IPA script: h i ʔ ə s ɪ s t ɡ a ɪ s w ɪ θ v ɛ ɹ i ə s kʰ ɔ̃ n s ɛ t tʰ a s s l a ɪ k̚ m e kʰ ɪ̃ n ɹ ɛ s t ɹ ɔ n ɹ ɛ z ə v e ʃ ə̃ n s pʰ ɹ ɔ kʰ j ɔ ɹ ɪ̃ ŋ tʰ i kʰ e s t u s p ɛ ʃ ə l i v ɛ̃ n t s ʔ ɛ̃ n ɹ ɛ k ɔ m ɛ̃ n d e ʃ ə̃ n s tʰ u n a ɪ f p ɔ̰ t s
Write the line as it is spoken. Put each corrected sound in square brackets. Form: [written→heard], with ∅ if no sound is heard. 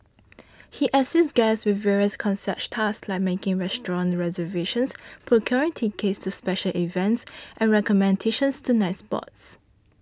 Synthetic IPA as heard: h i ʔ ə s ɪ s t ɡ a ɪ s w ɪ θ v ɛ ɹ i ə s kʰ ɔ̃ n s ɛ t tʰ a s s l a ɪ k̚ m e [kʰ→k] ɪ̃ [n→ŋ] ɹ ɛ s t ɹ [ɔ→ɔ̃] n ɹ ɛ z ə v e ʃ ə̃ n s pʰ ɹ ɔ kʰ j ɔ ɹ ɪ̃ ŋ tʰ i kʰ e s t u s p ɛ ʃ ə l i v ɛ̃ n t s ʔ ɛ̃ n ɹ ɛ k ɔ m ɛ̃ n d e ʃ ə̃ n s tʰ u n a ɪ [f→s] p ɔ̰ t s